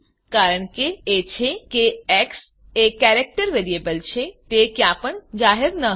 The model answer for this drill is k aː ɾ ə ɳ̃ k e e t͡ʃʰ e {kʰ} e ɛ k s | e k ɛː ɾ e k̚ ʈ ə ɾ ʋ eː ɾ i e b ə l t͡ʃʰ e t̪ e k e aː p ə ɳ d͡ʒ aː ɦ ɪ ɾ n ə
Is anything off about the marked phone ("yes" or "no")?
yes